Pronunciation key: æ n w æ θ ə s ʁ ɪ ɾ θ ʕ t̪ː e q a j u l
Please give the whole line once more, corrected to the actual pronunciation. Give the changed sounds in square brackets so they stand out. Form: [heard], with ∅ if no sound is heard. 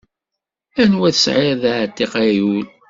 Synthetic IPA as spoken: æ n w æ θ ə s [ʕ] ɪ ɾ [ð] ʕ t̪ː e q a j u l